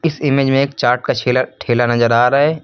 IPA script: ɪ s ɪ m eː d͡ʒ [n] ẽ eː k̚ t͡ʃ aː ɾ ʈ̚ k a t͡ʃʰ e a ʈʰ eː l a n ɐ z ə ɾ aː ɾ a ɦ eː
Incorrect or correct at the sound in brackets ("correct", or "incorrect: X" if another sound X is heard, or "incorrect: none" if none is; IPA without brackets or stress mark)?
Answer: incorrect: m